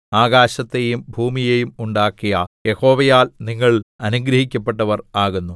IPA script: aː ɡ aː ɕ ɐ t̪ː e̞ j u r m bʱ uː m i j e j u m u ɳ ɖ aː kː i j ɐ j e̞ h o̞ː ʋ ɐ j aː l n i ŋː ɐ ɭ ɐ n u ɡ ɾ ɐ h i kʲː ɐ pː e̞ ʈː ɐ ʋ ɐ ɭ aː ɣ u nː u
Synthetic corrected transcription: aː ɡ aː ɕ ɐ t̪ː e̞ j u m bʱ uː m i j e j u m u ɳ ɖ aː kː i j ɐ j e̞ h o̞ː ʋ ɐ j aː l n i ŋː ɐ ɭ ɐ n u ɡ ɾ ɐ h i kʲː ɐ pː e̞ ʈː ɐ ʋ ɐ r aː ɣ u nː u

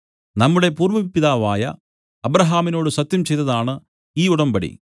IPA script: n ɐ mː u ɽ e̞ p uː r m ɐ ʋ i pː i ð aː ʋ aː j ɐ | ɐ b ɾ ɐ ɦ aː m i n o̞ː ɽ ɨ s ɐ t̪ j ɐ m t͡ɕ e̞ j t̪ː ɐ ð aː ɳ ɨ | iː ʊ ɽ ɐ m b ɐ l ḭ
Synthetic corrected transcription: n ɐ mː u ɽ e̞ p uː r m ɐ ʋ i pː i ð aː ʋ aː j ɐ | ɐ b ɾ ɐ ɦ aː m i n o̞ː ɽ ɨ s ɐ t̪ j ɐ m t͡ɕ e̞ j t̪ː ɐ ð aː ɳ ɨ | iː u ɽ ɐ m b ɐ ɽ ḭ

